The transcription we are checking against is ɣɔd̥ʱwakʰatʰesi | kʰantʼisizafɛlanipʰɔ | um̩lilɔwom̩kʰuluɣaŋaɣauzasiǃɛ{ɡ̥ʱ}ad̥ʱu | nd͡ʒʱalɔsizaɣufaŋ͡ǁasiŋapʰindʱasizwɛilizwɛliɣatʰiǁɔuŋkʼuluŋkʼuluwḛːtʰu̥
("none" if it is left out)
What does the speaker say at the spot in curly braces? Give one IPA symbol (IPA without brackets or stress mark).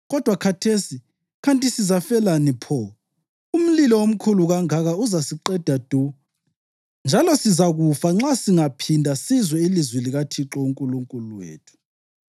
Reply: d̥ʱ